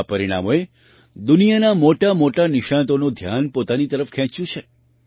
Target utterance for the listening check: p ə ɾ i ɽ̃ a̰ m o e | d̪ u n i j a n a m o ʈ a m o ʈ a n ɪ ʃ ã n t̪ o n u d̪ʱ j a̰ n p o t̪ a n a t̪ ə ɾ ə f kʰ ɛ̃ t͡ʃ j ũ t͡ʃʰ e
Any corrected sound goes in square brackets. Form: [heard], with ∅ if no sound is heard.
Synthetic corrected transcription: p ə ɾ i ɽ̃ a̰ m o e | d̪ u n i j a n a m o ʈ a m o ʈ a n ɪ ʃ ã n t̪ o n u d̪ʱ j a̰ n p o t̪ a n [i] t̪ ə ɾ ə f kʰ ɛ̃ t͡ʃ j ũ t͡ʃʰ e